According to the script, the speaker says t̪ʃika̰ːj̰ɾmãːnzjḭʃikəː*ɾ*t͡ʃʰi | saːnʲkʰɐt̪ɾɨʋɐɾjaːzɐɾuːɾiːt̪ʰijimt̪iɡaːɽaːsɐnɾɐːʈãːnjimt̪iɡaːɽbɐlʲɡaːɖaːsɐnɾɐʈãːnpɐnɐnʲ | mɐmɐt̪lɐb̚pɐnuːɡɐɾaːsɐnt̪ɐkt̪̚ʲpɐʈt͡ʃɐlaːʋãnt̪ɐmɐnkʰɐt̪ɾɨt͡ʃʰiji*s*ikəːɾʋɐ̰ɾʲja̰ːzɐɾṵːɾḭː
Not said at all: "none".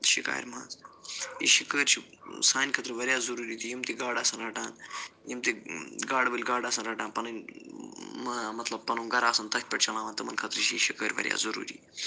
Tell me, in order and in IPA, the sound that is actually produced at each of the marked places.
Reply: ɾ, ʃ

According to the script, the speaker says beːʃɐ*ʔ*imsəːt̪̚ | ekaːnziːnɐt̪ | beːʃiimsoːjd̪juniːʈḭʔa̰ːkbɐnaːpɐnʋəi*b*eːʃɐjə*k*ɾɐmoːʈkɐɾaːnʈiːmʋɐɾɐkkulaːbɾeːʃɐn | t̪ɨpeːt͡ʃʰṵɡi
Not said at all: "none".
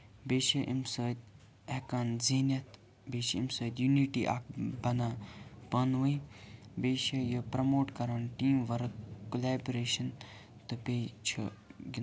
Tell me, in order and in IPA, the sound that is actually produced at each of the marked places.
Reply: ʔ, b, p

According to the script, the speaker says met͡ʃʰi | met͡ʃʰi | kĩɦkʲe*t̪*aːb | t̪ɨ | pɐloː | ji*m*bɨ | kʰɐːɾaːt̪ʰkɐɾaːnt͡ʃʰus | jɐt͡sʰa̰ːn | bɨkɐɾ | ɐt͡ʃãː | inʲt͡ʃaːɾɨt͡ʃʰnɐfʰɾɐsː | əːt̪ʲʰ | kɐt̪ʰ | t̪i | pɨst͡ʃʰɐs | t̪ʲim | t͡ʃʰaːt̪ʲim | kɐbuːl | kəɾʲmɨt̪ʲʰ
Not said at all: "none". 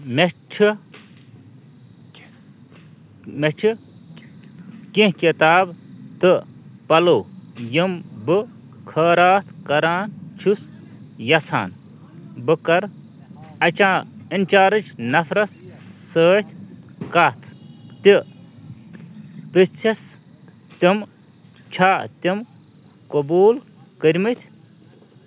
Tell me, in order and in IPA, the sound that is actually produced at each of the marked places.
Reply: t̪, m

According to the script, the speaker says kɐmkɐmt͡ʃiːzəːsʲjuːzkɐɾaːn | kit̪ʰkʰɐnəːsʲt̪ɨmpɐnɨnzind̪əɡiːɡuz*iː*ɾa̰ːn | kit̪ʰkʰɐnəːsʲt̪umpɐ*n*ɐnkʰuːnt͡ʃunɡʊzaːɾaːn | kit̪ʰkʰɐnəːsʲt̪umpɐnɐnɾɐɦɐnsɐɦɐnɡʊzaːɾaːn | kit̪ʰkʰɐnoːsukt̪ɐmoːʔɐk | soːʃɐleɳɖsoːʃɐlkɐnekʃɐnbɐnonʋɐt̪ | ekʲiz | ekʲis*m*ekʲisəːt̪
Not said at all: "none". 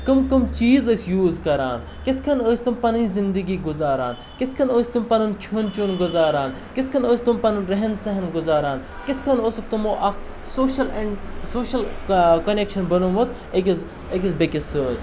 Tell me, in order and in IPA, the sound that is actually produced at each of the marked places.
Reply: aː, n, b

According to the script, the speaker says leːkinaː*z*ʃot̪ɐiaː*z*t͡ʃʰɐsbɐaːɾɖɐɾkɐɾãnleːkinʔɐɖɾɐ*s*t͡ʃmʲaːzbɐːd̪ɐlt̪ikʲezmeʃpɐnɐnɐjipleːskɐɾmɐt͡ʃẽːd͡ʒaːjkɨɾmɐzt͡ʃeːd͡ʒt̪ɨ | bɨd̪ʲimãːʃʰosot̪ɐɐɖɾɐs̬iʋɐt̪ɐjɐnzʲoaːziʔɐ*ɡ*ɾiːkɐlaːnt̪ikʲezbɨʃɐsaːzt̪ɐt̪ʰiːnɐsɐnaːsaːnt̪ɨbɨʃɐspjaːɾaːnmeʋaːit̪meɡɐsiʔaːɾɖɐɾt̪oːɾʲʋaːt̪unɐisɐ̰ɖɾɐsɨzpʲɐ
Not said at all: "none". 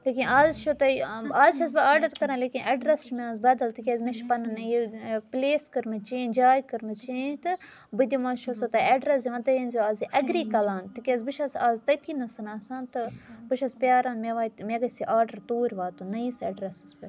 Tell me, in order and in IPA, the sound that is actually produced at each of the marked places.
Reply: z, z, s, ɡ

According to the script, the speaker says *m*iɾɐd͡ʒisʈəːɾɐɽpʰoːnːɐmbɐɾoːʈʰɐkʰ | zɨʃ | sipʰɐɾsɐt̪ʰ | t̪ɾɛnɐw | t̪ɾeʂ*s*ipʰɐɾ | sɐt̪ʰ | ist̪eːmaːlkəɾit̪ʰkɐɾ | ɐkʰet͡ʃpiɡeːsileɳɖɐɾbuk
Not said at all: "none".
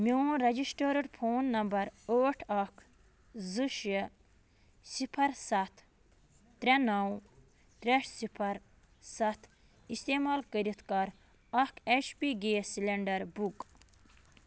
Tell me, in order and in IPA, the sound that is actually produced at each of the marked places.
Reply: m, s

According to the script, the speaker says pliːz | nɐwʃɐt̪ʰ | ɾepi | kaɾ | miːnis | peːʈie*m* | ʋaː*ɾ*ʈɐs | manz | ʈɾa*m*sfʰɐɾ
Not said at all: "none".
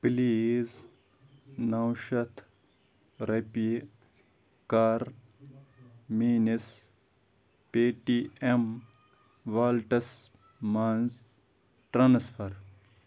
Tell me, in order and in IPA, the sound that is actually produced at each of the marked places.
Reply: m, l, n

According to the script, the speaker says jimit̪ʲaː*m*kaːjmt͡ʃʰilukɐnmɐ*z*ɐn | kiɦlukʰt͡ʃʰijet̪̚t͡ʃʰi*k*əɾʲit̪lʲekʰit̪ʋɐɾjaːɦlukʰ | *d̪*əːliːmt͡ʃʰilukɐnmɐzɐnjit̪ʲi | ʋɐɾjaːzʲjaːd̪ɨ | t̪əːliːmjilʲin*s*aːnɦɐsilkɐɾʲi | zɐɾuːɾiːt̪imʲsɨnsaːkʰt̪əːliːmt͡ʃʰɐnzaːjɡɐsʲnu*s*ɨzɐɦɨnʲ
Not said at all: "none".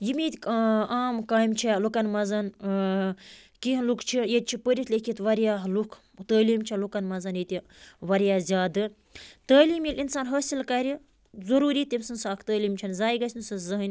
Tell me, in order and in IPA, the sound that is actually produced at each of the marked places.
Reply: m, z, p, t̪, s, s

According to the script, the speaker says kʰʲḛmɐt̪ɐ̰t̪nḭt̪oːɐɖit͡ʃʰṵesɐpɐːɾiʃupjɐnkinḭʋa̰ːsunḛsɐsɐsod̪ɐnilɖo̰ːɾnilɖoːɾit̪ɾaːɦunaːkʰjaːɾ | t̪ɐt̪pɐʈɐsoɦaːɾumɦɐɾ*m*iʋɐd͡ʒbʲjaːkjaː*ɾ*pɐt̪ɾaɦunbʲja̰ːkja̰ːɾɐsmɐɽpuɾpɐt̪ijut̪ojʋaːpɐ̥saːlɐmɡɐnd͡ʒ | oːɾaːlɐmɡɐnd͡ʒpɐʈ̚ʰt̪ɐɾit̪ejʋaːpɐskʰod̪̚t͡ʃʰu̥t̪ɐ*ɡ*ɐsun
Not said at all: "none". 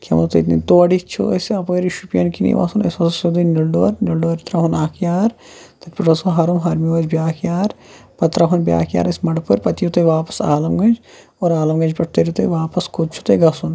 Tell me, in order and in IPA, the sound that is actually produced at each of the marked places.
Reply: m, ɾ, ɡ

